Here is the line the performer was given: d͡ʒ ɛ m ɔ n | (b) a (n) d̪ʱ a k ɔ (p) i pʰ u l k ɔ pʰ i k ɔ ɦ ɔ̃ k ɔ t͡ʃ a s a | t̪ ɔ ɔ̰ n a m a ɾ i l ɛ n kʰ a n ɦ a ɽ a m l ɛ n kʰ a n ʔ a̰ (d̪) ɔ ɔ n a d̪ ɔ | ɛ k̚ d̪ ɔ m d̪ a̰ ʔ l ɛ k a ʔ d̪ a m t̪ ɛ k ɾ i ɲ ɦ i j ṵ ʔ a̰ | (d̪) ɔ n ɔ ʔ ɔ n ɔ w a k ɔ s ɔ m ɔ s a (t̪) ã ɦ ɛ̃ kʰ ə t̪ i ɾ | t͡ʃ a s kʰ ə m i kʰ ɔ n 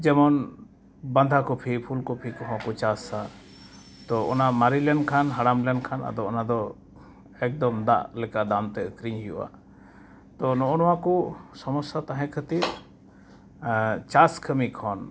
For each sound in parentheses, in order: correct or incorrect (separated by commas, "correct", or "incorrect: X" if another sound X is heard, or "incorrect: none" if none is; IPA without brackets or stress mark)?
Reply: correct, correct, incorrect: pʰ, correct, incorrect: t̪, correct